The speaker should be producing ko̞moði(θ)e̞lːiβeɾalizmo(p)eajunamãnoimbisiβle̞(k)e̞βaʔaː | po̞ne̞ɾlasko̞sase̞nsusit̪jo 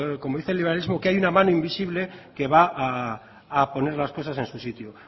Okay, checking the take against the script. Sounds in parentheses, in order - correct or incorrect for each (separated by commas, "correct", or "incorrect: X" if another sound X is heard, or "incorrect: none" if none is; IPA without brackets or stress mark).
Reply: correct, incorrect: k, correct